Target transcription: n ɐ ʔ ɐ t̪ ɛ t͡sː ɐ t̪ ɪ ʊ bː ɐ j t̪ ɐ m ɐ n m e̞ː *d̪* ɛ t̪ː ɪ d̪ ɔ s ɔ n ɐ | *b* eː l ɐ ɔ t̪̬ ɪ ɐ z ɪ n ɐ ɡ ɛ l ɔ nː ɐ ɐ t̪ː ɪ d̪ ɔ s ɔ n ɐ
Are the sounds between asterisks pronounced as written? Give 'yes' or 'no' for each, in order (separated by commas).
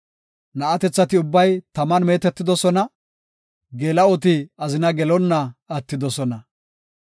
no, no